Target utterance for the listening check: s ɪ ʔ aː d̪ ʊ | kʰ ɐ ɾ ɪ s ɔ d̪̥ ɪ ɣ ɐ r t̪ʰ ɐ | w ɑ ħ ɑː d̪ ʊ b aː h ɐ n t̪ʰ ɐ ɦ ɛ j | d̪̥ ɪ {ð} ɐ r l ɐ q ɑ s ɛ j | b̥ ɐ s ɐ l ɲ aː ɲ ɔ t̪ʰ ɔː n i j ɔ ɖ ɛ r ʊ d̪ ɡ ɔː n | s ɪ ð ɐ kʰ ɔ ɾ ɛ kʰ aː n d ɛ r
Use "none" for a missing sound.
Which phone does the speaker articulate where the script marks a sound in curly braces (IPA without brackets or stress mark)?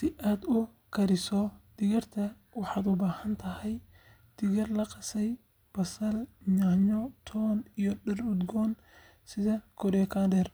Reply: ɣ